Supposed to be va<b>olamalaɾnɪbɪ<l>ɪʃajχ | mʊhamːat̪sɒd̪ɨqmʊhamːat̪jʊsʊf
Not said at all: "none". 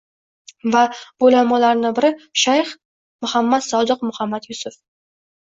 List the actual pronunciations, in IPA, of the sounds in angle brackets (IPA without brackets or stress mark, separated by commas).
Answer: b, ɾ